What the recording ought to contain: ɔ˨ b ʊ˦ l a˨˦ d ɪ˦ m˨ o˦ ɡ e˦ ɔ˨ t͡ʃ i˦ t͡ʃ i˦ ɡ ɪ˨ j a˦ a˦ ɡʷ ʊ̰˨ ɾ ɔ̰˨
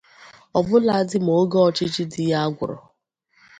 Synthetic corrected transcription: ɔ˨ b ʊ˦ l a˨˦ d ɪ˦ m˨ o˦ ɡ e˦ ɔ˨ t͡ʃ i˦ t͡ʃ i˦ d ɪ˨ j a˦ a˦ ɡʷ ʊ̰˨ ɾ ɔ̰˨